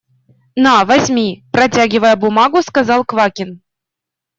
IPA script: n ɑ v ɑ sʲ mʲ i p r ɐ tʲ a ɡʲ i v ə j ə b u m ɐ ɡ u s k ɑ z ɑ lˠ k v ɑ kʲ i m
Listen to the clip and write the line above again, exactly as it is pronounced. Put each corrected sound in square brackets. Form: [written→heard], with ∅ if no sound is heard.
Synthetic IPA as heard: n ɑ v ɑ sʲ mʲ i p r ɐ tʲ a ɡʲ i v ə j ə b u m [ɐ→ɑ] ɡ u s k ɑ z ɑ lˠ k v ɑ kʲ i [m→n]

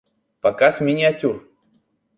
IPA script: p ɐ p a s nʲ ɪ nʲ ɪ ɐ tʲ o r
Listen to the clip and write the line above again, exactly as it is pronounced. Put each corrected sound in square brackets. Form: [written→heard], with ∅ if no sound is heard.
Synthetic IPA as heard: p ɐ [p→k] a s [nʲ→mʲ] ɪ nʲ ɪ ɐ tʲ [o→u] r

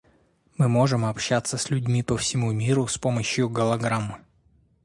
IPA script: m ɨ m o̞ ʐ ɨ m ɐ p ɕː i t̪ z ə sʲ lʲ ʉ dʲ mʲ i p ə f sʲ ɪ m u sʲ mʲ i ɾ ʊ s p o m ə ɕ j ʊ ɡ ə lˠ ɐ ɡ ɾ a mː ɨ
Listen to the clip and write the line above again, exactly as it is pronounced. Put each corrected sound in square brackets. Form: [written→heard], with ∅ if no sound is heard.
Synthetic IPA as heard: m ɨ m o̞ ʐ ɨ m ɐ p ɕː [i→a] t̪ [z→s] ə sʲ lʲ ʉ dʲ mʲ i p ə f sʲ ɪ m u [sʲ→∅] mʲ i ɾ ʊ s p o m ə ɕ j ʊ ɡ ə lˠ ɐ ɡ ɾ a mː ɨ

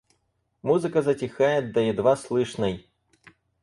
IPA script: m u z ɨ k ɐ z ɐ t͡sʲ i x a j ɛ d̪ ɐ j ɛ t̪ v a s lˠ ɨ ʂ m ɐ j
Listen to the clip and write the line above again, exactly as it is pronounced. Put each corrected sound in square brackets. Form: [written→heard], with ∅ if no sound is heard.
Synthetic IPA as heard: m u z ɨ k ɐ z ɐ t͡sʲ i x a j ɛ d̪ ɐ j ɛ [t̪→d̪] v a s lˠ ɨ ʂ [m→n] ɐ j

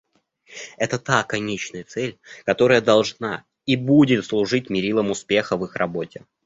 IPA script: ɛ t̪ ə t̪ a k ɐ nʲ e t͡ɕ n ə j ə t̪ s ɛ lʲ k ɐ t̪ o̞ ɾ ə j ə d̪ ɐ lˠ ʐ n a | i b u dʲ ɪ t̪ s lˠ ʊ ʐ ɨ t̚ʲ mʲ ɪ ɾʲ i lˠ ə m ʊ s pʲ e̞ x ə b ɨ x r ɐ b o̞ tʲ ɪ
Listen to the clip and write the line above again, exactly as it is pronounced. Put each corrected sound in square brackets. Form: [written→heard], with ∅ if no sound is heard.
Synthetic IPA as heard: ɛ t̪ ə t̪ a k ɐ nʲ e t͡ɕ n ə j ə t̪ s ɛ lʲ k ɐ t̪ o̞ ɾ ə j ə d̪ ɐ lˠ ʐ n a | i b u dʲ ɪ t̪ s lˠ ʊ ʐ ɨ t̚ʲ mʲ ɪ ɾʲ i lˠ ə m ʊ s pʲ e̞ x ə [b→v] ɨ x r ɐ b o̞ tʲ ɪ

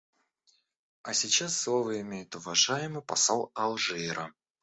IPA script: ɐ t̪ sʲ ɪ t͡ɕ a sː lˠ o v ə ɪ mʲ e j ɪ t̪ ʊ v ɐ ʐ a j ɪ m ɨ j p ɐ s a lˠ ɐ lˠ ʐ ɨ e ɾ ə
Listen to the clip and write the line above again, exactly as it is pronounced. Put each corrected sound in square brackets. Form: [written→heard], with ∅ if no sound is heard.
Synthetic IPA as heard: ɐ [t̪→∅] sʲ ɪ t͡ɕ a sː lˠ o v ə ɪ mʲ e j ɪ t̪ ʊ v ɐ ʐ a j ɪ m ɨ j p ɐ s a lˠ ɐ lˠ ʐ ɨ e ɾ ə

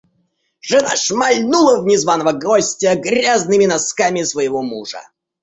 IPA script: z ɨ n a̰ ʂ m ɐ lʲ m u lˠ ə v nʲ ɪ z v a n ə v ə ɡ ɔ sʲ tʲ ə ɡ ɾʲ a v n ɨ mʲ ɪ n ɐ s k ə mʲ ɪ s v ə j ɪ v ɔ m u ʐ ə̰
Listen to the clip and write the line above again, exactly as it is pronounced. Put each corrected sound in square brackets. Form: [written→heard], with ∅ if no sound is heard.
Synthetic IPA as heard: [z→ʐ] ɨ n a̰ ʂ m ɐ lʲ [m→n] u lˠ ə v nʲ ɪ z v a n ə v ə ɡ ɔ sʲ tʲ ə ɡ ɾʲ a [v→z] n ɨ mʲ ɪ n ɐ s k [ə→a] mʲ ɪ s v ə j ɪ v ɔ m u ʐ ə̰

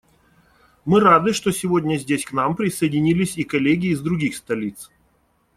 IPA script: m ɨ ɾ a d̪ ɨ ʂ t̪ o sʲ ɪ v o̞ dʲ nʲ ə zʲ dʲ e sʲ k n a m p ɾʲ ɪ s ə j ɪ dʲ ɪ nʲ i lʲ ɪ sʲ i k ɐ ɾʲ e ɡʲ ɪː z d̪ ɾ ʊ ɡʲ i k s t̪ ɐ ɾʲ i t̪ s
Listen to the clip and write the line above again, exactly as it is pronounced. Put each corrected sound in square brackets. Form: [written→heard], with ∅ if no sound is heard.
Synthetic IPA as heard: m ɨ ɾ a d̪ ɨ ʂ t̪ o sʲ ɪ v o̞ dʲ nʲ ə zʲ dʲ e sʲ k n a m p ɾʲ ɪ s ə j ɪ dʲ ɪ nʲ i lʲ ɪ sʲ i k ɐ [ɾʲ→lʲ] e ɡʲ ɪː z d̪ ɾ ʊ ɡʲ i [k→x] s t̪ ɐ [ɾʲ→lʲ] i t̪ s

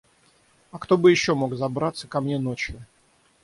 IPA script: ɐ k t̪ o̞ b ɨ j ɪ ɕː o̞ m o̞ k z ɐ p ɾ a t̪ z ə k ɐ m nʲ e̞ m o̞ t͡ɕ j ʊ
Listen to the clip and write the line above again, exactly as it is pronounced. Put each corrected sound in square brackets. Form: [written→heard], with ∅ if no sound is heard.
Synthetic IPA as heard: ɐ k t̪ o̞ b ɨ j ɪ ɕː o̞ m o̞ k z ɐ [p→b] ɾ a t̪ [z→s] ə k ɐ m nʲ e̞ [m→n] o̞ t͡ɕ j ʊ

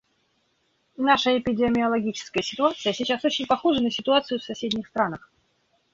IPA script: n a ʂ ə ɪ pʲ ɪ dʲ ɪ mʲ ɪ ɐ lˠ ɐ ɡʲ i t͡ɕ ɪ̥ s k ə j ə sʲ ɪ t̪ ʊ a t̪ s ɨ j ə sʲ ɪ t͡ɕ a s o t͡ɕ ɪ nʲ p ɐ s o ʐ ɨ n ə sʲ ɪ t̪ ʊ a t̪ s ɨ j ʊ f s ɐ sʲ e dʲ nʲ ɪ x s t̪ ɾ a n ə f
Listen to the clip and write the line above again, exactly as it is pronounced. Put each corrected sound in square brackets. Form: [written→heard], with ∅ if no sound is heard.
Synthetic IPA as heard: n a ʂ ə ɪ pʲ ɪ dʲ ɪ mʲ ɪ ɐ lˠ ɐ ɡʲ i t͡ɕ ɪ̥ s k ə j ə sʲ ɪ t̪ ʊ a t̪ s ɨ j ə sʲ ɪ t͡ɕ a s o t͡ɕ ɪ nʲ p ɐ [s→x] o ʐ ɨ n ə sʲ ɪ t̪ ʊ a t̪ s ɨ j ʊ f s ɐ sʲ e dʲ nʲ ɪ x s t̪ ɾ a n ə [f→x]

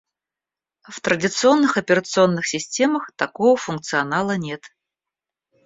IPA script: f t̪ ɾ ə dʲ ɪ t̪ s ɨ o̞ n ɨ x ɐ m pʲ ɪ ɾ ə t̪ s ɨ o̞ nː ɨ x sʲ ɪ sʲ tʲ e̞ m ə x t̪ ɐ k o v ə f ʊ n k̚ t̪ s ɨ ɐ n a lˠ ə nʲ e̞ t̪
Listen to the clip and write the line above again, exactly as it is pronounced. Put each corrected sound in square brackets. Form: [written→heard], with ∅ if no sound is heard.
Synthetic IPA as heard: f t̪ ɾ ə dʲ ɪ t̪ s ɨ o̞ [n→nː] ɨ x ɐ [m→∅] pʲ ɪ ɾ ə t̪ s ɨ o̞ nː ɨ x sʲ ɪ sʲ tʲ e̞ m ə x t̪ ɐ k o v ə f ʊ n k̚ t̪ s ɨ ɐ n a lˠ ə nʲ e̞ t̪

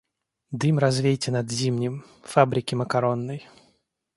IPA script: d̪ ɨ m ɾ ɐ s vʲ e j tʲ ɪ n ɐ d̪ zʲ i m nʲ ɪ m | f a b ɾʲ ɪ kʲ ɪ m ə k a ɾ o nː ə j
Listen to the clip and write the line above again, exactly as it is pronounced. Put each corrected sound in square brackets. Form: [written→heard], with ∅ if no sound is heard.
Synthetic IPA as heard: d̪ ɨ m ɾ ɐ [s→z] vʲ e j tʲ ɪ n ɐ d̪ zʲ i m nʲ ɪ m | f a b ɾʲ ɪ kʲ ɪ m ə k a ɾ o nː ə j

